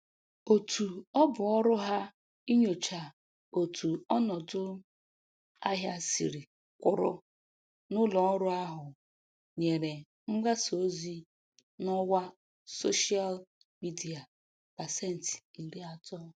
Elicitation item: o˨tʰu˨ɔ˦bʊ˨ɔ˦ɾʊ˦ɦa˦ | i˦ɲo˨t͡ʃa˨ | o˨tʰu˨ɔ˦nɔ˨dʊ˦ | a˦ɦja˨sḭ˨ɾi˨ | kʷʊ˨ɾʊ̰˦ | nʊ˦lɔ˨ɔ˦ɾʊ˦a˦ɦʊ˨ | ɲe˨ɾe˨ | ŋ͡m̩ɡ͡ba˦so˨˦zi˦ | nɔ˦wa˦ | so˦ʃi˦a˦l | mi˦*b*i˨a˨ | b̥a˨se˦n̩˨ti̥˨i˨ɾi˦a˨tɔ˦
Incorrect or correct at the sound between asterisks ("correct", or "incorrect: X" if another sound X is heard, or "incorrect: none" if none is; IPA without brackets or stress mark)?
incorrect: d